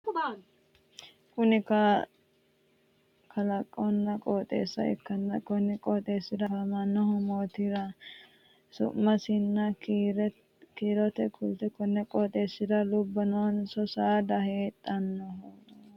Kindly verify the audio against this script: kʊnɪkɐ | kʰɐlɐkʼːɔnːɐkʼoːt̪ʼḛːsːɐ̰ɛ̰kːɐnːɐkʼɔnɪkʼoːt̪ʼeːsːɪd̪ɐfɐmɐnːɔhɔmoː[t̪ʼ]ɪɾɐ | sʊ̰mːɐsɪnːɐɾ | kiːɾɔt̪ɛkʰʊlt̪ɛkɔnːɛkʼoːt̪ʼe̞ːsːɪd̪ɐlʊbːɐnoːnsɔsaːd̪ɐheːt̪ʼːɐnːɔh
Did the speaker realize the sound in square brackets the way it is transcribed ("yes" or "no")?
no